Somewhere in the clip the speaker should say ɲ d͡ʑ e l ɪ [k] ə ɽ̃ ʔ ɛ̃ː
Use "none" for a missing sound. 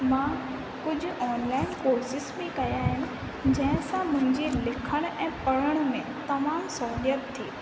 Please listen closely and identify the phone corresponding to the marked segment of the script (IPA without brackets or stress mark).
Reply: kʰ